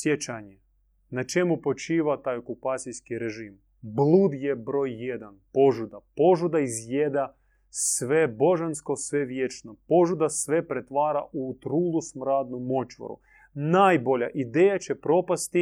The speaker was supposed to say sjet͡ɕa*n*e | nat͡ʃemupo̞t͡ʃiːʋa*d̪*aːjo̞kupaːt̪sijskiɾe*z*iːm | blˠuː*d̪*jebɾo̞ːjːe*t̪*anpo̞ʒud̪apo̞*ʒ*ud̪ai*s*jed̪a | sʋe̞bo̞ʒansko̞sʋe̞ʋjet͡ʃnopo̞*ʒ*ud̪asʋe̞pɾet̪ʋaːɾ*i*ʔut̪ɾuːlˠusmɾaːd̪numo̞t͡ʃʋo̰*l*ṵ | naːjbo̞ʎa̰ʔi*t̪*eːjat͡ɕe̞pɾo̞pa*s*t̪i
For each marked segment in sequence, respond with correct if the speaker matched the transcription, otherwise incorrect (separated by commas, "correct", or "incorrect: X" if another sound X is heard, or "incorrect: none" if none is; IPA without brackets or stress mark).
incorrect: ɲ, incorrect: t̪, incorrect: ʒ, correct, incorrect: d̪, correct, incorrect: z, correct, incorrect: a, incorrect: ɾ, incorrect: d̪, correct